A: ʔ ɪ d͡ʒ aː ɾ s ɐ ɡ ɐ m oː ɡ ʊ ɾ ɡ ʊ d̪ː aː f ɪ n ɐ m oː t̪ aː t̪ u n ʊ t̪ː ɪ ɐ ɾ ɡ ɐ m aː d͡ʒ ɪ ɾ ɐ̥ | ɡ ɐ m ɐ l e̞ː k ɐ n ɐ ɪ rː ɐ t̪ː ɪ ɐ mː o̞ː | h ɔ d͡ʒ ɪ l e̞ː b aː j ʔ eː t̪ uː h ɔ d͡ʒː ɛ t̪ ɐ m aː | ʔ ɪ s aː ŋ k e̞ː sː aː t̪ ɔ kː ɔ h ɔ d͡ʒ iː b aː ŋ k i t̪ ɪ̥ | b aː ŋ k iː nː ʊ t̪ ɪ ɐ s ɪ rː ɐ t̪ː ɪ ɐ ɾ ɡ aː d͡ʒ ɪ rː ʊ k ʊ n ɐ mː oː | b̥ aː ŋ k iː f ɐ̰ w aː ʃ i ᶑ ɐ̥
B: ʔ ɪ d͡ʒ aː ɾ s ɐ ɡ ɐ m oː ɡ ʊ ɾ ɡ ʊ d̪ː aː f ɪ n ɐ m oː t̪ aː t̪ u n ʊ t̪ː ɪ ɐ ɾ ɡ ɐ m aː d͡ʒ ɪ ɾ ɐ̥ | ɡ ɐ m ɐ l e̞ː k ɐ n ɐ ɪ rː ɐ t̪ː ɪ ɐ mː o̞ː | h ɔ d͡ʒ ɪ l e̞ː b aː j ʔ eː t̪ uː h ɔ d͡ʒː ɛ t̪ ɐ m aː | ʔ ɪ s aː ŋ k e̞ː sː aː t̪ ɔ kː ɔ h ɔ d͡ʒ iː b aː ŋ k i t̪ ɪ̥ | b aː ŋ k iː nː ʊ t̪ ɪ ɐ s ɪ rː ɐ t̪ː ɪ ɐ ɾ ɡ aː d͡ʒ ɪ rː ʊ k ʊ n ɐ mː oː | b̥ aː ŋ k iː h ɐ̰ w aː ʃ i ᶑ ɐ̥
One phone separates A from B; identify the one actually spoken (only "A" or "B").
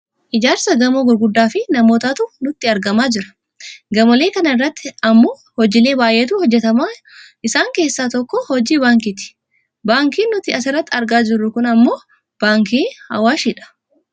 B